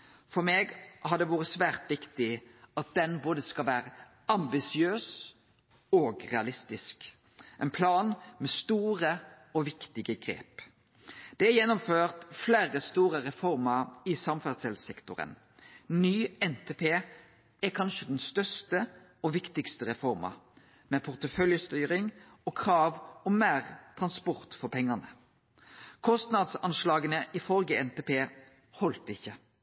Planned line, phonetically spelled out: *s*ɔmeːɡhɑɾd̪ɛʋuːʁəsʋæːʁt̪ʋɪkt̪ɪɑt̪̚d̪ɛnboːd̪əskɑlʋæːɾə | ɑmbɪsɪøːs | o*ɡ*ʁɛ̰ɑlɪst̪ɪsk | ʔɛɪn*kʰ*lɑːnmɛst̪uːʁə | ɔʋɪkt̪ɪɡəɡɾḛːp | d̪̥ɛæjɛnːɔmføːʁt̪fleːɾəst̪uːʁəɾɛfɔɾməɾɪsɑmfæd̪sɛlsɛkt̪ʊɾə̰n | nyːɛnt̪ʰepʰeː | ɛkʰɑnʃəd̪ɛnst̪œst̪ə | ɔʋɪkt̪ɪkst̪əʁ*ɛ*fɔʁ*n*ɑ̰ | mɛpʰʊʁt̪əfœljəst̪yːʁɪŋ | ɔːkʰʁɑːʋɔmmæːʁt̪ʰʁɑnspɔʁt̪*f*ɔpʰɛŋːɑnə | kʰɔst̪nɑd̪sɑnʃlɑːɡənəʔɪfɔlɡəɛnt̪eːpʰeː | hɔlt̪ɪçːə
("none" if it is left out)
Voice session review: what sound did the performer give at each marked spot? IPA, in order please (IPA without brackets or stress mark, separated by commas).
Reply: f, ɡ, pʰ, ɛ, m, f